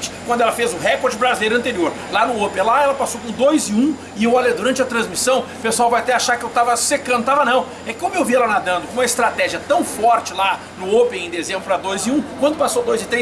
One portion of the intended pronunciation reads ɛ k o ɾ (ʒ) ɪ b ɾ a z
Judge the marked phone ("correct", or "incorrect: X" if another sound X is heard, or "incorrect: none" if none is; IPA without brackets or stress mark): incorrect: d͡ʒ